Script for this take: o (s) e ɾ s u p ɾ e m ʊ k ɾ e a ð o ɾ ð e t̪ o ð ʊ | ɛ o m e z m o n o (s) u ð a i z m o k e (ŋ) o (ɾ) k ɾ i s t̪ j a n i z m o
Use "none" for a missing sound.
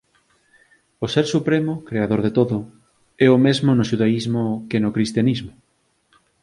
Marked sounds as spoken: s, ʃ, n, none

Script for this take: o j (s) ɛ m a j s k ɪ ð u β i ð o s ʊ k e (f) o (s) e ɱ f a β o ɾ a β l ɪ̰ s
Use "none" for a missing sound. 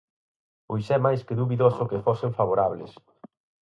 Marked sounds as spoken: s, f, s

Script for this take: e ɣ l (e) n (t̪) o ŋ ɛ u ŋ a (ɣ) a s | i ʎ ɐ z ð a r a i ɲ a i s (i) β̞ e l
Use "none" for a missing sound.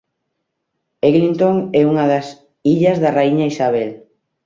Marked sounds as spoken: i, t̪, ð, a

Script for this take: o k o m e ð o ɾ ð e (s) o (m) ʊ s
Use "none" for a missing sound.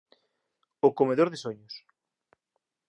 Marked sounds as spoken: s, ɲ

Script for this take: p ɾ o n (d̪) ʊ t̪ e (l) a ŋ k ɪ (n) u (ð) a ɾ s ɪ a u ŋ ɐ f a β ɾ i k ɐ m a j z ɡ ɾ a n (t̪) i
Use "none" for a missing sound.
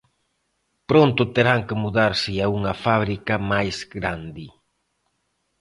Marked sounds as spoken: t̪, ɾ, m, ð, d̪

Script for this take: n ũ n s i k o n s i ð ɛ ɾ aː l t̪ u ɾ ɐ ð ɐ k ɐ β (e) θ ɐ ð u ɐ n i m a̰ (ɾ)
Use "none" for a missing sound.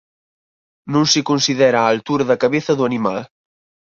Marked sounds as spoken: e, l

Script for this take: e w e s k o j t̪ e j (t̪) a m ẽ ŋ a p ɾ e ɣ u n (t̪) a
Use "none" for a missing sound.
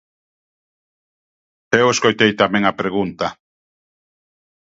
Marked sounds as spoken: t̪, t̪

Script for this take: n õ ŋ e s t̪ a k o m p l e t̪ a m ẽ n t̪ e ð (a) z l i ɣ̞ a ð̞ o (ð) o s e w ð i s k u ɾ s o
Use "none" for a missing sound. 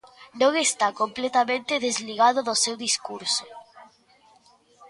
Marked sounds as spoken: e, ð

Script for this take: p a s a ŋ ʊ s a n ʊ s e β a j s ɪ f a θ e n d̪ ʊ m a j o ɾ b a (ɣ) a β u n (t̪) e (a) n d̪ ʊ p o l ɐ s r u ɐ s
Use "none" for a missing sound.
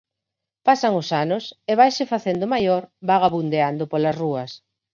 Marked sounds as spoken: ɣ, d̪, a

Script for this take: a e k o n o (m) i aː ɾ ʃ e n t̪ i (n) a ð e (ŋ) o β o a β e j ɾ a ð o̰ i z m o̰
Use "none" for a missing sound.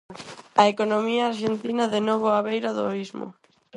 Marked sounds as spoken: m, n, n

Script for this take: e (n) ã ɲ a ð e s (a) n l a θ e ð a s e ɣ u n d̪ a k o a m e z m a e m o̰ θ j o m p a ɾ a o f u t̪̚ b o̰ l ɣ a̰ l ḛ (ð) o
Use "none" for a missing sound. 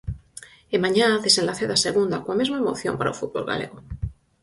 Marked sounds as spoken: m, e, ɣ

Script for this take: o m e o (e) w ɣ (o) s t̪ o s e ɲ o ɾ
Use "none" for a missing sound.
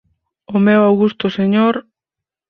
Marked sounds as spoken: a, u

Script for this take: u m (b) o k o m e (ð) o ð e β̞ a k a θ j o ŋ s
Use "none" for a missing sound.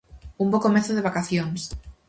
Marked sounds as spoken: b, θ

